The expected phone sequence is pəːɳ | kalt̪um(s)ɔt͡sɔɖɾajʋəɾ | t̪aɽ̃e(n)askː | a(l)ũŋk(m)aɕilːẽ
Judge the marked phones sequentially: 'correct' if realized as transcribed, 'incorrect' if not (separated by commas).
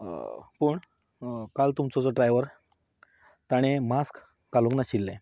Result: incorrect, incorrect, correct, incorrect